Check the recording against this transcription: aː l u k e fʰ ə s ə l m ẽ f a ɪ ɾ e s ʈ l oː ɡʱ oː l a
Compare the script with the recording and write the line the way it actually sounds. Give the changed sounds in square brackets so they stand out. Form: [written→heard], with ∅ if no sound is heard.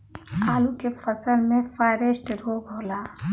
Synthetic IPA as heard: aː l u k e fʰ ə s ə l m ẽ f a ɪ ɾ e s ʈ [l→ɾ] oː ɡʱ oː l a